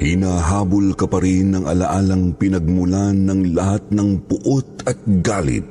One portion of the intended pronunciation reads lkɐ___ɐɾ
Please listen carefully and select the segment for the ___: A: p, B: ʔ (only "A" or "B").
A